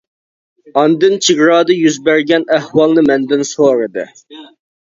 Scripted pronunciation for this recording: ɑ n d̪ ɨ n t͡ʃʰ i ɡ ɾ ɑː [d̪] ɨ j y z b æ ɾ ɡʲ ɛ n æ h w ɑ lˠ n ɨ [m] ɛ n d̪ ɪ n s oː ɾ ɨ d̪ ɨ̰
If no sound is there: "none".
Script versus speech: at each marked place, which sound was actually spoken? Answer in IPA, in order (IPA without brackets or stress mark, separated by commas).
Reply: d̪, m